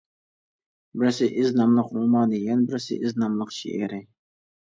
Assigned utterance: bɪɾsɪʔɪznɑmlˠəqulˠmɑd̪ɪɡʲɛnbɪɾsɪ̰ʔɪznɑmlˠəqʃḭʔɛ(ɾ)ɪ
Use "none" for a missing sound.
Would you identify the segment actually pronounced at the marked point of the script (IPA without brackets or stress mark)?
ɾ